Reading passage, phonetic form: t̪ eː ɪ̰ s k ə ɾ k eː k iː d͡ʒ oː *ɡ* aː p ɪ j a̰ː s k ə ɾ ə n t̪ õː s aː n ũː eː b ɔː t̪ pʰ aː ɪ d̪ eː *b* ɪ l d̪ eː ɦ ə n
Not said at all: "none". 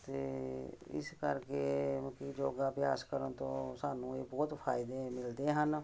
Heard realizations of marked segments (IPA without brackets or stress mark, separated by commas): ɡ, m